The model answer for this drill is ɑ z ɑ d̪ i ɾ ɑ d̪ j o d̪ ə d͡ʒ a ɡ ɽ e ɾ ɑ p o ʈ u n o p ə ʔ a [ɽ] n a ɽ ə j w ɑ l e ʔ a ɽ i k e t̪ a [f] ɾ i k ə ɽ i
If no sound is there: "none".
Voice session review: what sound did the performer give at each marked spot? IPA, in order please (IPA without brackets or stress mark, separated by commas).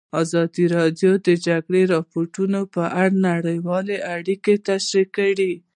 ɽ, ʃ